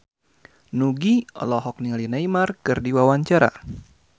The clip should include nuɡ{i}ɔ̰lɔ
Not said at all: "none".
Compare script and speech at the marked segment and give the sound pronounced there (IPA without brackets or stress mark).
i